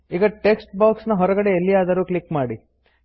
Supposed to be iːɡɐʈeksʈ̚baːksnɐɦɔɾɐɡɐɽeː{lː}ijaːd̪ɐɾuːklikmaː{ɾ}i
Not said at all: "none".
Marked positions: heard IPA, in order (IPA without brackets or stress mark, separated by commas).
lː, ɽ